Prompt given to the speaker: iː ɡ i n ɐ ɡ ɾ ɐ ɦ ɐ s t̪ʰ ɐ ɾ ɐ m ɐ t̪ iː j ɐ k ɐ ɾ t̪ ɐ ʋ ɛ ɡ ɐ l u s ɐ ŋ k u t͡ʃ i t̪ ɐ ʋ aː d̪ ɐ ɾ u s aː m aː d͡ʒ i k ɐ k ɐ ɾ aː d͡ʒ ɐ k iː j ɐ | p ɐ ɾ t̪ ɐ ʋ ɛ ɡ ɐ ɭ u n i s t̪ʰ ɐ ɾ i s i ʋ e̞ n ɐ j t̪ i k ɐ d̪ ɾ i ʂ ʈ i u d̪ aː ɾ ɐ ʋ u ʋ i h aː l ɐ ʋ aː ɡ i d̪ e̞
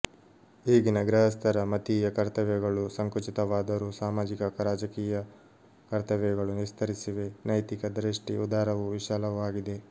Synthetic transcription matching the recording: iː ɡ i n ɐ ɡ ɾ ɐ ɦ ɐ s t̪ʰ ɐ ɾ ɐ m ɐ t̪ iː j ɐ k ɐ ɾ t̪ ɐ ʋ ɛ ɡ ɐ ɭ u s ɐ ŋ k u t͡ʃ i t̪ ɐ ʋ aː d̪ ɐ ɾ u s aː m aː d͡ʒ i k ɐ k ɐ ɾ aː d͡ʒ ɐ k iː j ɐ | k ɐ ɾ t̪ ɐ ʋ ɛ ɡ ɐ ɭ u n i s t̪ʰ ɐ ɾ i s i ʋ e̞ n ɐ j t̪ i k ɐ d̪ ɾ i ʂ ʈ i u d̪ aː ɾ ɐ ʋ u ʋ i ʃ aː l ɐ ʋ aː ɡ i d̪ e̞